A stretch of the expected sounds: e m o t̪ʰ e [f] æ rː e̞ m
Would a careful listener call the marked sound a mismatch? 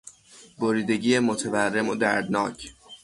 yes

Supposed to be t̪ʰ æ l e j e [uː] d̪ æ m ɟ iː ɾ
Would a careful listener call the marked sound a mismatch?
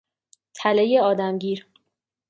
yes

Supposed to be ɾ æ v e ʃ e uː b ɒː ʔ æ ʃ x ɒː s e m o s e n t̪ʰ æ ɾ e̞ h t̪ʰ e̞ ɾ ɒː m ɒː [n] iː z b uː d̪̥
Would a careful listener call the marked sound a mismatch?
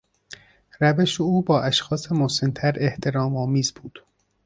yes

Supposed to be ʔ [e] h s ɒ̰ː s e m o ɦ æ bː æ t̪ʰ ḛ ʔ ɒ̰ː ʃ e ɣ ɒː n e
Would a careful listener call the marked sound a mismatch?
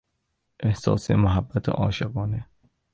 no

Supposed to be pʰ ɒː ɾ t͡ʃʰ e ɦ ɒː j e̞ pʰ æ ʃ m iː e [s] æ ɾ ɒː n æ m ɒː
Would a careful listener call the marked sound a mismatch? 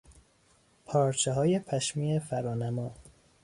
yes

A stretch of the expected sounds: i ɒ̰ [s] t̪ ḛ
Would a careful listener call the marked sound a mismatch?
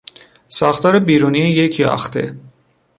yes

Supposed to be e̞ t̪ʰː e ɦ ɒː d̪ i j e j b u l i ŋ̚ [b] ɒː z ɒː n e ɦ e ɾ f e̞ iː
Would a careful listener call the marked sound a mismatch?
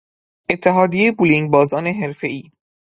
no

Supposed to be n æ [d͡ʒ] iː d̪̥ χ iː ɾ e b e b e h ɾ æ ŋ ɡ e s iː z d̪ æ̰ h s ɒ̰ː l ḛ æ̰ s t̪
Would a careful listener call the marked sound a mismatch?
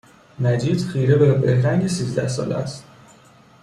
no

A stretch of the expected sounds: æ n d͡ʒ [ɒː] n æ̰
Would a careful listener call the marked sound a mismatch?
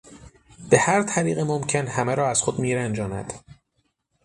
no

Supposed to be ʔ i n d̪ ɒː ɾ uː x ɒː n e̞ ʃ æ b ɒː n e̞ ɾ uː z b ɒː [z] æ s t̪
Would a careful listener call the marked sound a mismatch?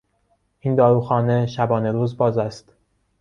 no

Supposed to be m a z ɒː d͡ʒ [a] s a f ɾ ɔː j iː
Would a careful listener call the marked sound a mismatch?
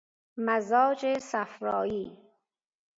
yes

